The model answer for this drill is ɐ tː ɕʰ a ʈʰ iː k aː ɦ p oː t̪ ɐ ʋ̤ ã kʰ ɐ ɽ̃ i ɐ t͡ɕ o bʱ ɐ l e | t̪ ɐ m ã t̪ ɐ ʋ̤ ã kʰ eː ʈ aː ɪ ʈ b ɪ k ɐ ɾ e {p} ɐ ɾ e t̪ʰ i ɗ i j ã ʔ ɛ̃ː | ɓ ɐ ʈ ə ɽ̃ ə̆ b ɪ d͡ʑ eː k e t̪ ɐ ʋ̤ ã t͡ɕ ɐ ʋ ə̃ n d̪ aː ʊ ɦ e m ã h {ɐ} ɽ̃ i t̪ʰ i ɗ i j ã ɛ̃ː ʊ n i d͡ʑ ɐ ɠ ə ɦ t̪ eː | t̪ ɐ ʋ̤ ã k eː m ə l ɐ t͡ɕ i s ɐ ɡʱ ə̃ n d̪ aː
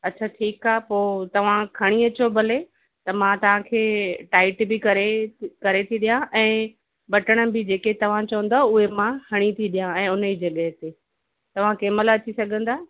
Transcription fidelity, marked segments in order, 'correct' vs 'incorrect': incorrect, correct

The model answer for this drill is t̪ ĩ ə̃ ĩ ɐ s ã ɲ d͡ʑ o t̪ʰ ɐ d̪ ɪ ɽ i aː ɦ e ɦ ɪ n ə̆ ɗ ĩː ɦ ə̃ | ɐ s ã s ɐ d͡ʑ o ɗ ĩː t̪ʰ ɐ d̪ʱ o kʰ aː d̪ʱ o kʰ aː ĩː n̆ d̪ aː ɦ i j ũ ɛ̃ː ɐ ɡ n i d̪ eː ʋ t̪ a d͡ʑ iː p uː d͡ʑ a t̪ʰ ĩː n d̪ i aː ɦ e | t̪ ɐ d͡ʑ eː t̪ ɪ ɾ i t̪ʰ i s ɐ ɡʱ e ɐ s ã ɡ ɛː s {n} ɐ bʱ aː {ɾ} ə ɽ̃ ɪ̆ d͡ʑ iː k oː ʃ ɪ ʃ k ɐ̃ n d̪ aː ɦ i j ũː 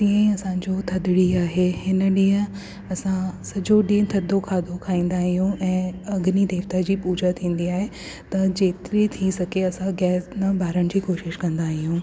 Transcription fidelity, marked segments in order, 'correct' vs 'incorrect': correct, correct

